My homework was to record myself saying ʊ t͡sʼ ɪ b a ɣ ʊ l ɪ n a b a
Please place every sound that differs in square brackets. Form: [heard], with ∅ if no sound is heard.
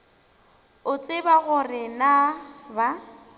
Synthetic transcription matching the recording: ʊ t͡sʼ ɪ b a ɣ ʊ [r] ɪ n a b a